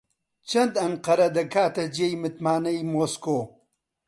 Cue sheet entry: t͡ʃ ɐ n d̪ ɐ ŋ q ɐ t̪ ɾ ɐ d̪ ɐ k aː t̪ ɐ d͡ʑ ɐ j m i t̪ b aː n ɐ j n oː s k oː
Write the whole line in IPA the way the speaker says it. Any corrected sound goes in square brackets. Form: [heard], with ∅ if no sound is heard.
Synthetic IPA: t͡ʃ ɐ n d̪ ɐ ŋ q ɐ [∅] ɾ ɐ d̪ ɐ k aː t̪ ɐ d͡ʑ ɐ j m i t̪ [m] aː n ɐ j [m] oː s k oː